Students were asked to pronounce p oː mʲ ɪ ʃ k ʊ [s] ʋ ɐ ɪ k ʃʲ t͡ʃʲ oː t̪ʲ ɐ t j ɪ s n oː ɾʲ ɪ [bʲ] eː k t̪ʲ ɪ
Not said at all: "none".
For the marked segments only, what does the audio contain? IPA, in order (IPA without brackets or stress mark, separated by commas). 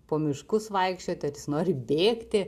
s, bʲ